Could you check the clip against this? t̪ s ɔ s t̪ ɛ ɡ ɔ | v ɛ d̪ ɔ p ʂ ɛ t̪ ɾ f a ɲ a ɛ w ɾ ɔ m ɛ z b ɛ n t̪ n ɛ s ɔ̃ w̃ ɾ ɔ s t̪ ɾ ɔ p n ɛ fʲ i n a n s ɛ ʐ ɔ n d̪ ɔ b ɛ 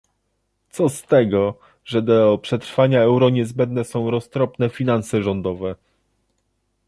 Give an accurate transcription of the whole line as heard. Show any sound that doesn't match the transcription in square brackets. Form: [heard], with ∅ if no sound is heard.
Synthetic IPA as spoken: t̪ s ɔ s t̪ ɛ ɡ ɔ | [ʐ] ɛ d̪ ɔ p ʂ ɛ t̪ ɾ f a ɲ a ɛ w ɾ ɔ [ɲ] ɛ z b ɛ n [d̪] n ɛ s ɔ̃ w̃ ɾ ɔ s t̪ ɾ ɔ p n ɛ fʲ i n a n s ɛ ʐ ɔ n d̪ ɔ [v] ɛ

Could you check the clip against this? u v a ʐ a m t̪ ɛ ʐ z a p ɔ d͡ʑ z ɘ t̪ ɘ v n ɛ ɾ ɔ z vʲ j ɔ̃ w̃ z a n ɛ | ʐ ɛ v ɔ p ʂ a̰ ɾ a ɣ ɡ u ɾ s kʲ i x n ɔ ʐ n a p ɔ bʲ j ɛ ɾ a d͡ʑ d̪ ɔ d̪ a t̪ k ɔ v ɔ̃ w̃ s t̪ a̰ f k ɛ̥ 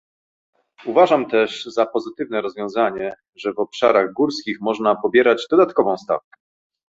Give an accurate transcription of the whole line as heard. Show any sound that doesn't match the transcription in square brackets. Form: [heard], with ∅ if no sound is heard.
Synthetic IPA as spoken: u v a ʐ a m t̪ ɛ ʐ z a p ɔ [∅] z ɘ t̪ ɘ v n ɛ ɾ ɔ z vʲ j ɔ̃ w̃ z a [ɲ] ɛ | ʐ ɛ v ɔ p ʂ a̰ ɾ a ɣ ɡ u ɾ s kʲ i x [m] ɔ ʐ n a p ɔ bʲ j ɛ ɾ a d͡ʑ d̪ ɔ d̪ a t̪ k ɔ v ɔ̃ w̃ s t̪ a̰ f k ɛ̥

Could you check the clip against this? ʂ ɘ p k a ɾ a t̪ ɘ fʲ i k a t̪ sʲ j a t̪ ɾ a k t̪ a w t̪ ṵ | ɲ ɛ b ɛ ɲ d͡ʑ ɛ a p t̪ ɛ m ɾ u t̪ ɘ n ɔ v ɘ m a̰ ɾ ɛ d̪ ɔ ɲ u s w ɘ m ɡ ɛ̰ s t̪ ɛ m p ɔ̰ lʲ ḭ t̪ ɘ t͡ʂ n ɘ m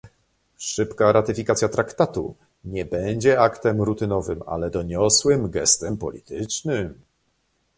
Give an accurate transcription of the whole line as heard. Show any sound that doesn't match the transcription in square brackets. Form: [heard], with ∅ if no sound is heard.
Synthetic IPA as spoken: ʂ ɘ p k a ɾ a t̪ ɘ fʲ i k a t̪ sʲ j a t̪ ɾ a k t̪ a [∅] t̪ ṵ | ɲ ɛ b ɛ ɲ d͡ʑ ɛ a [k] t̪ ɛ m ɾ u t̪ ɘ n ɔ v ɘ m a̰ [l] ɛ d̪ ɔ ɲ [ɔ] s w ɘ m ɡ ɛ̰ s t̪ ɛ m p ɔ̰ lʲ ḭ t̪ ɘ t͡ʂ n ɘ m

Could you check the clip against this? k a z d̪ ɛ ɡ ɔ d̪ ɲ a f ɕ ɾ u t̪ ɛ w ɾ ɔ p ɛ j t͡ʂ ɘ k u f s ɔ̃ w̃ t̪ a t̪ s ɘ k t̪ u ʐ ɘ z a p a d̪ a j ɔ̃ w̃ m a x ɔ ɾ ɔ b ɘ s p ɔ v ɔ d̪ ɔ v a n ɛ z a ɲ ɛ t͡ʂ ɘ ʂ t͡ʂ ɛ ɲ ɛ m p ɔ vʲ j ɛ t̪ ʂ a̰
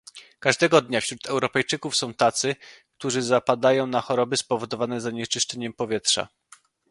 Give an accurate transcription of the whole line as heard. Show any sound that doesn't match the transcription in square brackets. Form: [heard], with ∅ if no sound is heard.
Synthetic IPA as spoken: k a [ʐ] d̪ ɛ ɡ ɔ d̪ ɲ a f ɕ ɾ u t̪ ɛ w ɾ ɔ p ɛ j t͡ʂ ɘ k u f s ɔ̃ w̃ t̪ a t̪ s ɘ k t̪ u ʐ ɘ z a p a d̪ a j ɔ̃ w̃ [n] a x ɔ ɾ ɔ b ɘ s p ɔ v ɔ d̪ ɔ v a n ɛ z a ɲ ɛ t͡ʂ ɘ ʂ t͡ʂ ɛ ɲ ɛ m p ɔ vʲ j ɛ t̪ ʂ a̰

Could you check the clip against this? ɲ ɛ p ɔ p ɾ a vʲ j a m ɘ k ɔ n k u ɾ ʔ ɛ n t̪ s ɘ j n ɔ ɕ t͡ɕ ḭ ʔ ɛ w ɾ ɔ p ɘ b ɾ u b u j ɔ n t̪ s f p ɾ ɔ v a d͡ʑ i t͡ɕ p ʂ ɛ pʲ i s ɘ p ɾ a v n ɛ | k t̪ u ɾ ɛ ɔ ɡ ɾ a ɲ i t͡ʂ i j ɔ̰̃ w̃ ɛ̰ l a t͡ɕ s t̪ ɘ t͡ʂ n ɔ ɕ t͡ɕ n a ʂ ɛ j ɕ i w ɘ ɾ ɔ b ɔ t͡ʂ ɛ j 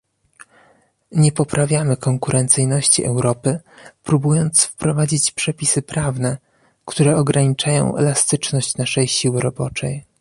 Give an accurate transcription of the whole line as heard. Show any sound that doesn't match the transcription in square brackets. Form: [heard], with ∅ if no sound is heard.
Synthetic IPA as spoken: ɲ ɛ p ɔ p ɾ a vʲ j a m ɘ k ɔ [ŋ] k u ɾ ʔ ɛ n t̪ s ɘ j n ɔ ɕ t͡ɕ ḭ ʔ ɛ w ɾ ɔ p ɘ [p] ɾ u b u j ɔ n t̪ s f p ɾ ɔ v a d͡ʑ i t͡ɕ p ʂ ɛ pʲ i s ɘ p ɾ a v n ɛ | k t̪ u ɾ ɛ ɔ ɡ ɾ a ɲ i t͡ʂ [a] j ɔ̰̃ w̃ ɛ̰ l a [∅] s t̪ ɘ t͡ʂ n ɔ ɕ t͡ɕ n a ʂ ɛ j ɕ i w ɘ ɾ ɔ b ɔ t͡ʂ ɛ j

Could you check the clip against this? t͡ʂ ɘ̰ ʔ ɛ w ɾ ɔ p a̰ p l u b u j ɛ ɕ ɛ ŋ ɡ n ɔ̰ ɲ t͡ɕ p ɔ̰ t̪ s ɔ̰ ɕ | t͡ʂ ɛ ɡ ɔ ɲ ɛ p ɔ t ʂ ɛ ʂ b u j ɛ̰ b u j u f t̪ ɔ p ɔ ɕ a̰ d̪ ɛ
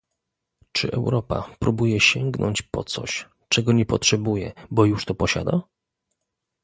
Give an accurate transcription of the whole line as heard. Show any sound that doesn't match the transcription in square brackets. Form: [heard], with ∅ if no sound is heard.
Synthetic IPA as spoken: t͡ʂ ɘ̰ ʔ ɛ w ɾ ɔ p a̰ p [ɾ] u b u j ɛ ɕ ɛ ŋ ɡ n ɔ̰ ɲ t͡ɕ p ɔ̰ t̪ s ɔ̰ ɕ | t͡ʂ ɛ ɡ ɔ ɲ ɛ p ɔ t ʂ ɛ [∅] b u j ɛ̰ b [ɔ] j u [ʂ] t̪ ɔ p ɔ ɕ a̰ d̪ [a]

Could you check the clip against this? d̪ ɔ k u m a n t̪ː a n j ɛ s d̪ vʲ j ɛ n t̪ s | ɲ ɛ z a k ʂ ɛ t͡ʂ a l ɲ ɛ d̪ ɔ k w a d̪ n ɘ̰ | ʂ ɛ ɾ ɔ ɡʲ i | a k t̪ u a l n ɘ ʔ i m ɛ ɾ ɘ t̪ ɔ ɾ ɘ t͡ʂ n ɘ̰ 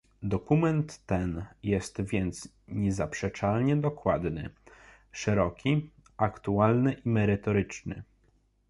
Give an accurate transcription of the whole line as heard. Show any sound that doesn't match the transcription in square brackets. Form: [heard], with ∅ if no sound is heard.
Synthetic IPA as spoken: d̪ ɔ k u m [ɛ] n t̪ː [ɛ] n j ɛ s [t̪] vʲ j ɛ n t̪ s | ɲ ɛ z a [p] ʂ ɛ t͡ʂ a l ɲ ɛ d̪ ɔ k w a d̪ n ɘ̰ | ʂ ɛ ɾ ɔ [kʲ] i | a k t̪ u a l n ɘ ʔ i m ɛ ɾ ɘ t̪ ɔ ɾ ɘ t͡ʂ n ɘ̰

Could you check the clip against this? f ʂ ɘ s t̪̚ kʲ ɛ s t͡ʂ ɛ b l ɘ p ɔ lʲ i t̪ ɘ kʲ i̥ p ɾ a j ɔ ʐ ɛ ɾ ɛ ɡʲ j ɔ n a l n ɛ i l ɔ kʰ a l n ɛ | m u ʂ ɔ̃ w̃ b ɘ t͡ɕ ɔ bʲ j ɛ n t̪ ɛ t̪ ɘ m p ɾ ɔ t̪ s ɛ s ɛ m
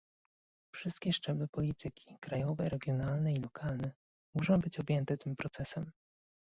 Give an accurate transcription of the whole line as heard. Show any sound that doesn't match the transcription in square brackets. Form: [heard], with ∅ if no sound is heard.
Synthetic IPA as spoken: f ʂ ɘ s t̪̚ kʲ ɛ [ʂ] t͡ʂ ɛ b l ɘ p ɔ lʲ i t̪ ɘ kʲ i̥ [k] ɾ a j ɔ [v] ɛ ɾ ɛ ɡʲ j ɔ n a l n ɛ i l ɔ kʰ a l n ɛ | m u ʂ ɔ̃ w̃ b ɘ t͡ɕ ɔ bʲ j ɛ n t̪ ɛ t̪ ɘ m p ɾ ɔ t̪ s ɛ s ɛ m

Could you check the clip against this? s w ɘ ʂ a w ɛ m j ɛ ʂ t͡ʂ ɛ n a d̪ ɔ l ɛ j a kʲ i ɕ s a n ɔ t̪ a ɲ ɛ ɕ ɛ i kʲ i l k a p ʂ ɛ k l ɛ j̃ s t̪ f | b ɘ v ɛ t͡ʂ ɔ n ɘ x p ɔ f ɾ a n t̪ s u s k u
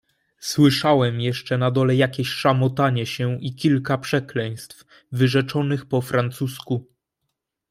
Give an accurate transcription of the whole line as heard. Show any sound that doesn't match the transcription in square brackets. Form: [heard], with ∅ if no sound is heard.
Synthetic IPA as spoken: s w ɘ ʂ a w ɛ m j ɛ ʂ t͡ʂ ɛ n a d̪ ɔ l ɛ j a kʲ [e] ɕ [ʂ] a [m] ɔ t̪ a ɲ ɛ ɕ ɛ i kʲ i l k a p ʂ ɛ k l ɛ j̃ s t̪ f | [v] ɘ [ʐ] ɛ t͡ʂ ɔ n ɘ x p ɔ f ɾ a n t̪ s u s k u

